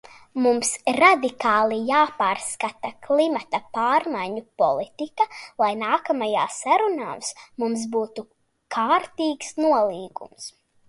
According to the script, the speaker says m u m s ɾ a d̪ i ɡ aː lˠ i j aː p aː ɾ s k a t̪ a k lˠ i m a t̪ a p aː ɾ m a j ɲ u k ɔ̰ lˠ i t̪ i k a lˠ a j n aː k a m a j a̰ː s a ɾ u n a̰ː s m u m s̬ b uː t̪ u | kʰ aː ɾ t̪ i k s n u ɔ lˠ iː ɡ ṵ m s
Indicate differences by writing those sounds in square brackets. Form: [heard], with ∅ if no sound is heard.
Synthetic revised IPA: m u m s ɾ a d̪ i [k] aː lˠ i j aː p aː ɾ s k a t̪ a k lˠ i m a t̪ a p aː ɾ m a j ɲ u [p] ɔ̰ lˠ i t̪ i k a lˠ a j n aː k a m a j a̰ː s a ɾ u n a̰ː s m u m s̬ b uː t̪ u | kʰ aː ɾ t̪ [iː] k s n u ɔ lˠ iː ɡ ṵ m s